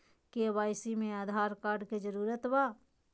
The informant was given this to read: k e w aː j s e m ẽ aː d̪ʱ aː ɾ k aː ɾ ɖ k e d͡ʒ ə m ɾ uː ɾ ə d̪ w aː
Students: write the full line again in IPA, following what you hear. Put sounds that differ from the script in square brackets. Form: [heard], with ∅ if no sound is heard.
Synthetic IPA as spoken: k e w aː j s [i] m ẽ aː d̪ʱ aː ɾ k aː ɾ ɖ k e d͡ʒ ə [∅] ɾ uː ɾ ə [t̪] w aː